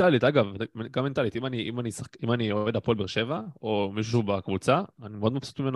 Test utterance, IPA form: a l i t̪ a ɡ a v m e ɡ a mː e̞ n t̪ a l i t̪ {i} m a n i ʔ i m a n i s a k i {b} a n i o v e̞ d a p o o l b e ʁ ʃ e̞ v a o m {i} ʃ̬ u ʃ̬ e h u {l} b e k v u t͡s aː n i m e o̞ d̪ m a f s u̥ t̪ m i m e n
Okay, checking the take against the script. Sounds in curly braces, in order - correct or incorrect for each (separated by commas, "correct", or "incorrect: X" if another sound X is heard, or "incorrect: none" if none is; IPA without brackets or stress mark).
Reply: correct, incorrect: m, correct, incorrect: none